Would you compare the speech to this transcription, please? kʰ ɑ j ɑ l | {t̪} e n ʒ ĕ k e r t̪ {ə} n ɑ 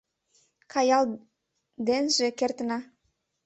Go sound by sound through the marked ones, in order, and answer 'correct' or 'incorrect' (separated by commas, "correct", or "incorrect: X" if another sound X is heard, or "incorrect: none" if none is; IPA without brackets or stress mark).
incorrect: d̪, correct